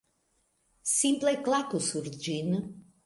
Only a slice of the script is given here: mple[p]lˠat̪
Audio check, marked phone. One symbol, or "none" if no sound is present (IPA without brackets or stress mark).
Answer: k